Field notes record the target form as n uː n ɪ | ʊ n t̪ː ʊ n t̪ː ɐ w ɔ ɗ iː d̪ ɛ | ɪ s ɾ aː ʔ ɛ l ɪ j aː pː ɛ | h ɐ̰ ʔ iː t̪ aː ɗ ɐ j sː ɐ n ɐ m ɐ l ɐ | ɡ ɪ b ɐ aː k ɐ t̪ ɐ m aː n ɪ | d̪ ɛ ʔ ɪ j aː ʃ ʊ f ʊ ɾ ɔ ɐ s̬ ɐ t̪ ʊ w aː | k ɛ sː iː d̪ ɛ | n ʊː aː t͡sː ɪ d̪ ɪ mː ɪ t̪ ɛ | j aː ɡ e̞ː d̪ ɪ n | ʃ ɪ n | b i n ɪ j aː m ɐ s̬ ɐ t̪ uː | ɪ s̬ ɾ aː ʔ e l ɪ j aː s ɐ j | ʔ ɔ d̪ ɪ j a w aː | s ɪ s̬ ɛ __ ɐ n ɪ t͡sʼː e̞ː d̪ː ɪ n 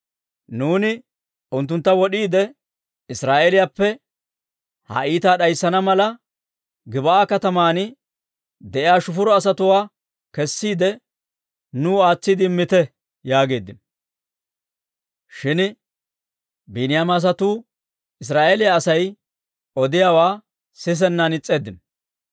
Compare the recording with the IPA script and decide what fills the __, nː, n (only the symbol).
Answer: nː